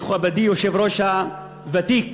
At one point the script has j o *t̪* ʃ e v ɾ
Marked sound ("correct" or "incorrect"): incorrect